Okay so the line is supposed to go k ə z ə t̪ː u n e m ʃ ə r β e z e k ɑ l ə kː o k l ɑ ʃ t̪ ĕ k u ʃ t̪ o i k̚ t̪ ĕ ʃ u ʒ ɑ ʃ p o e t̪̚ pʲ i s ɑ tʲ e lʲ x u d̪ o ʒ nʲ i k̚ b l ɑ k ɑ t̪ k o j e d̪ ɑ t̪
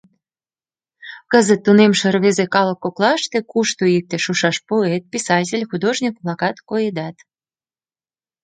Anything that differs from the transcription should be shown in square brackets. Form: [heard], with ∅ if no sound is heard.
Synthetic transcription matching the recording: k ə z ə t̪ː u n e m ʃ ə r β e z e k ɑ l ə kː o k l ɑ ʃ t̪ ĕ k u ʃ t̪ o i k̚ t̪ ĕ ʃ u [ʃ] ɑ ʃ p o e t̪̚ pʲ i s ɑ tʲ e lʲ x u d̪ o ʒ nʲ i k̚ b l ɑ k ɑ t̪ k o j e d̪ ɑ t̪